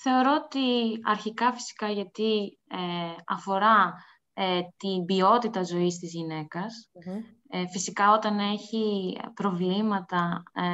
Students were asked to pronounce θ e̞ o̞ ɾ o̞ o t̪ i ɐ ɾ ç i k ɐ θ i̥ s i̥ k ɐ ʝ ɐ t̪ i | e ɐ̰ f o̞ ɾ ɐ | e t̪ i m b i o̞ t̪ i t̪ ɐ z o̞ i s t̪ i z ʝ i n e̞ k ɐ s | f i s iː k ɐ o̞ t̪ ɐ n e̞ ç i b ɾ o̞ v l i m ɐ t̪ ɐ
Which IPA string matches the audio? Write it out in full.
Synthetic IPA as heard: θ e̞ o̞ ɾ o̞ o t̪ i ɐ ɾ ç i k ɐ f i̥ s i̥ k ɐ ʝ ɐ t̪ i | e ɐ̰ f o̞ ɾ ɐ | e t̪ i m b i o̞ t̪ i t̪ ɐ z o̞ i s t̪ i z ʝ i n e̞ k ɐ s | f i s i k ɐ o̞ t̪ ɐ n e̞ ç i p ɾ o̞ v l i m ɐ t̪ ɐ